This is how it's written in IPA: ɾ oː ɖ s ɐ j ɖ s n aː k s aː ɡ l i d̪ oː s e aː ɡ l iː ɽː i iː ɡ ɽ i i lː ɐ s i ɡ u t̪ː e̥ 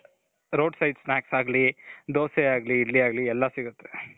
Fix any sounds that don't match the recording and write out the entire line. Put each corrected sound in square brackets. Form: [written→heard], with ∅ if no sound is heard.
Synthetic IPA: ɾ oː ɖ s ɐ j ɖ s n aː k s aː ɡ l i d̪ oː s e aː ɡ l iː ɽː i [iː→aː] ɡ [ɽ→l] i [i→ɛ] lː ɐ s i ɡ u t̪ː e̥